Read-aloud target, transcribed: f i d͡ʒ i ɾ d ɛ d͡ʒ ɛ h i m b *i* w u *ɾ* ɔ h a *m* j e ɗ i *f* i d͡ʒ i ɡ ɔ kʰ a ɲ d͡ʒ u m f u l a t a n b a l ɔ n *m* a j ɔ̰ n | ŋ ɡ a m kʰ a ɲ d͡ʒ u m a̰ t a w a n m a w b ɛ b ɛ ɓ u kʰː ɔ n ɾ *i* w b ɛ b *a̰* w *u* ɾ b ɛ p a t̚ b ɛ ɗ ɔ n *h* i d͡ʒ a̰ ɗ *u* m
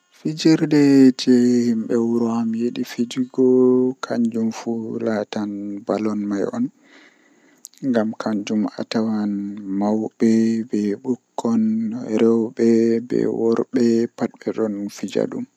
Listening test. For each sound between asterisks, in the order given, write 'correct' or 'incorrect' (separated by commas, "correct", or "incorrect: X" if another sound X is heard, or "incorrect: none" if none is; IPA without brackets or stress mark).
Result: incorrect: ɛ, correct, correct, correct, correct, incorrect: ɛ, incorrect: ɛ̰, incorrect: ɔ, incorrect: f, correct